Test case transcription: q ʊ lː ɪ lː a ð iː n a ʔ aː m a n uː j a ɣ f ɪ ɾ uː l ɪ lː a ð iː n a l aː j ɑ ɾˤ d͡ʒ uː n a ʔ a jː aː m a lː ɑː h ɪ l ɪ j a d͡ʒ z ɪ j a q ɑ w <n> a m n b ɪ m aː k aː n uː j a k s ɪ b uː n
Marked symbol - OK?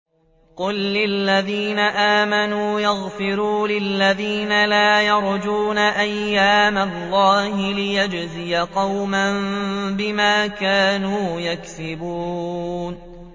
no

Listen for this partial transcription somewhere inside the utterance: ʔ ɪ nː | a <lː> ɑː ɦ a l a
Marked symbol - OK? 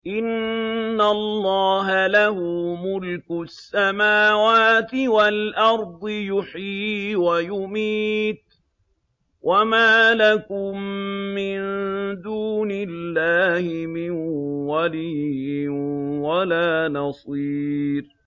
yes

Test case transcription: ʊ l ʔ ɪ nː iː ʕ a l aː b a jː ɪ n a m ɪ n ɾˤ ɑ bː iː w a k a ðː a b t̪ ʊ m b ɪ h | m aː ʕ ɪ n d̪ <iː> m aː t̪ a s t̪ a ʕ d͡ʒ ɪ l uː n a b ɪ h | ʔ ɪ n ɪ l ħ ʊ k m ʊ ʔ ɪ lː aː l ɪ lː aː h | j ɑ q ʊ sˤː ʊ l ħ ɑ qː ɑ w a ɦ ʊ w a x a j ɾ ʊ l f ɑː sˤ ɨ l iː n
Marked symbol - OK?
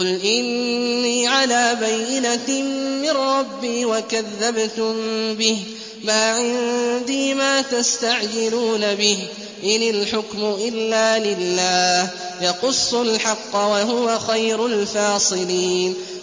yes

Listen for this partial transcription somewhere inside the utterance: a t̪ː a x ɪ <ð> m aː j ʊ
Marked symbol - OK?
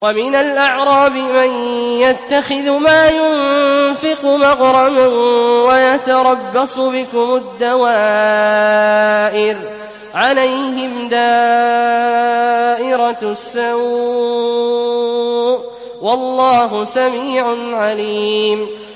yes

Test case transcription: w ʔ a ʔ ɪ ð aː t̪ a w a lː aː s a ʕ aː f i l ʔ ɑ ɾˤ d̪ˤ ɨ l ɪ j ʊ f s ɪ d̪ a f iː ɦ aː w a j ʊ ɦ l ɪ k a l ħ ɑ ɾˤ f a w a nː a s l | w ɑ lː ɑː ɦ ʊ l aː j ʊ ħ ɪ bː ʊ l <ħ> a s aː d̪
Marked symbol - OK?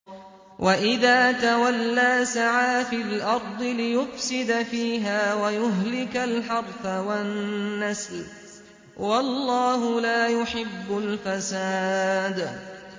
no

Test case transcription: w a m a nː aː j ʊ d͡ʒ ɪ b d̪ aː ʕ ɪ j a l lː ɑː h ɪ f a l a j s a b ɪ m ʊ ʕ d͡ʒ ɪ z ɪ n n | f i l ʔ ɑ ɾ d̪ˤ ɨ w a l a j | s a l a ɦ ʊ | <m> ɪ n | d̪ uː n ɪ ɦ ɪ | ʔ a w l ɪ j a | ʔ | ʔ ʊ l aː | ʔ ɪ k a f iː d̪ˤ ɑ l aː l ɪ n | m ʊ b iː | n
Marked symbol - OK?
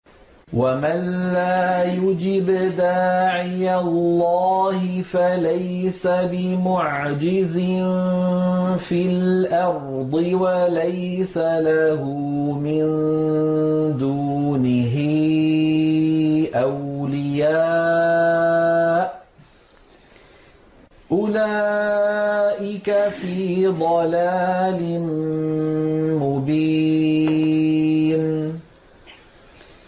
yes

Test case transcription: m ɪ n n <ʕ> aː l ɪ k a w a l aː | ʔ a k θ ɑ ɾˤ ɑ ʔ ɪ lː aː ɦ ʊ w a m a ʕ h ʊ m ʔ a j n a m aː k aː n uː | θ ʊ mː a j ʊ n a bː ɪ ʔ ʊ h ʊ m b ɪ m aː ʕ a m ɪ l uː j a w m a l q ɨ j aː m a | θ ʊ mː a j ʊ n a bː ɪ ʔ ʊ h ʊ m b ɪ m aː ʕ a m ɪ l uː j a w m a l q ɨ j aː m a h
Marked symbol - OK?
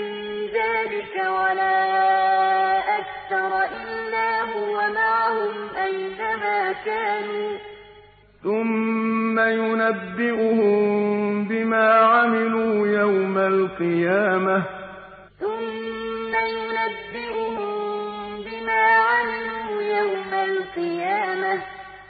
no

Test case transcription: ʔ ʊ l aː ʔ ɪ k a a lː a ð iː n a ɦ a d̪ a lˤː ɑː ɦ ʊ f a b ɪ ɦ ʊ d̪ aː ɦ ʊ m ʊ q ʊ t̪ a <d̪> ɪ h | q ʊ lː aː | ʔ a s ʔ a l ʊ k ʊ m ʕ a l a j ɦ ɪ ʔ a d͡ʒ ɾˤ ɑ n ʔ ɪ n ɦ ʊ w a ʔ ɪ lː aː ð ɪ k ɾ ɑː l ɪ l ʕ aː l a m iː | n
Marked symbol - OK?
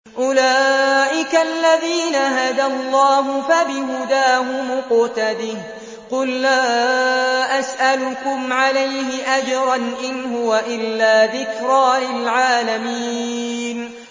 yes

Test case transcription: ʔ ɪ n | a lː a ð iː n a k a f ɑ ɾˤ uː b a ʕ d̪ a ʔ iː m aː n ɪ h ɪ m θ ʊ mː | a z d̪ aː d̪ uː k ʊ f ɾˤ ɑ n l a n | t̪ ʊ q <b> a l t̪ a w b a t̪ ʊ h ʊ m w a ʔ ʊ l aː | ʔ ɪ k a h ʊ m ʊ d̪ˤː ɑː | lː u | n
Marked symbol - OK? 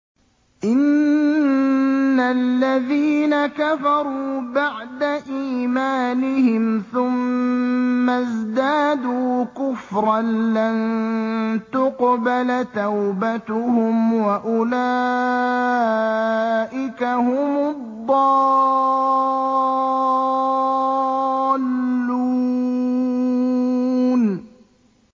yes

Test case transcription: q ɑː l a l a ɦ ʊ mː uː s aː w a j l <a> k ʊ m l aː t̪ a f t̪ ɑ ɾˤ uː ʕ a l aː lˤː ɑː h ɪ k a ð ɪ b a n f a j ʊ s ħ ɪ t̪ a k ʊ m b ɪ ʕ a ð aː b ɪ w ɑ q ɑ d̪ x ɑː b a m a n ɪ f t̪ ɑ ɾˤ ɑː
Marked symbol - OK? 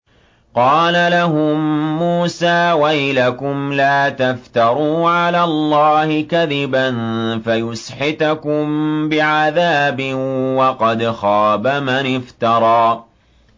yes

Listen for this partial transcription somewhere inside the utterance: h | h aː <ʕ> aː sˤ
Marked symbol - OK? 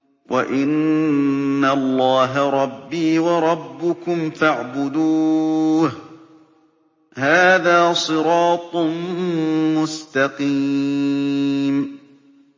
no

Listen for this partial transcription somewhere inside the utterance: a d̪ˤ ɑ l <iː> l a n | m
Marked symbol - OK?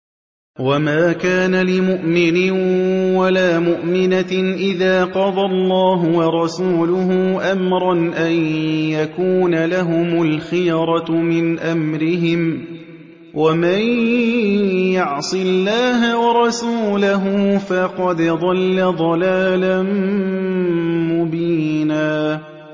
no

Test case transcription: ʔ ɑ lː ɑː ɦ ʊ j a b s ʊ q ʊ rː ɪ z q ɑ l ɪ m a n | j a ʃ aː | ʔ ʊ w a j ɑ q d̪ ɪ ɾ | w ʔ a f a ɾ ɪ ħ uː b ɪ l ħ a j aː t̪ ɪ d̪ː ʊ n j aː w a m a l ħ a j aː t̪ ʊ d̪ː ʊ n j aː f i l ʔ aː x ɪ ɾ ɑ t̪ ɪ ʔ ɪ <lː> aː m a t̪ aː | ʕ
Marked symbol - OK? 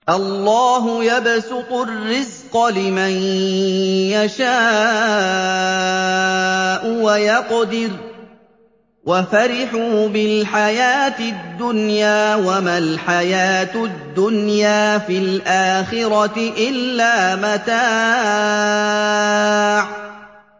yes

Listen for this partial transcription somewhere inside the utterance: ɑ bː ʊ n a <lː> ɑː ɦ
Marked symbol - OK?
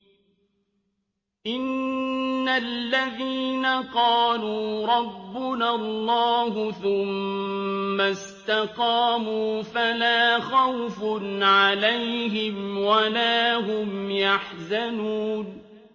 yes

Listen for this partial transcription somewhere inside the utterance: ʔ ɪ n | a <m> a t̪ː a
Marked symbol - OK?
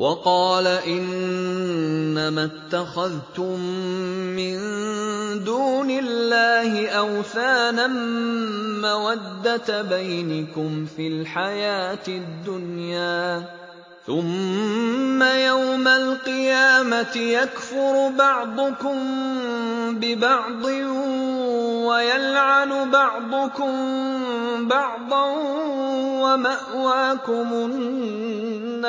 yes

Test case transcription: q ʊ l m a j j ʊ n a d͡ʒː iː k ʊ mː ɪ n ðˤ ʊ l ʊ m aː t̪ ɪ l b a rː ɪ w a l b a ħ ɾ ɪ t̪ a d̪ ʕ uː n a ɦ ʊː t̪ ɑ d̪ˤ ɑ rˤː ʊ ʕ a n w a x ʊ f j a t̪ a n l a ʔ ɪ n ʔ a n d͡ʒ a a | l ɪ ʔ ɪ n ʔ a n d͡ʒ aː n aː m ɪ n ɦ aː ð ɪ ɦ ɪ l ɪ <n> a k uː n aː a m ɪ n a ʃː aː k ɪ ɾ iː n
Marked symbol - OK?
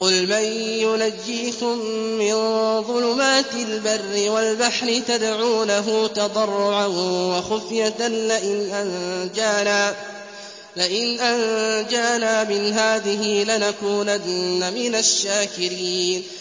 yes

